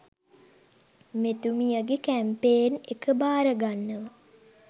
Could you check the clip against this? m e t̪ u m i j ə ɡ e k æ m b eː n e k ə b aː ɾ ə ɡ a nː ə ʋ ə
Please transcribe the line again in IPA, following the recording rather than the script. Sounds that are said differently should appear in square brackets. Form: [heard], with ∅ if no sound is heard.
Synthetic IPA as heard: m e t̪ u m i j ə ɡ e k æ m [p] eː n e k ə b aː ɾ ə ɡ a nː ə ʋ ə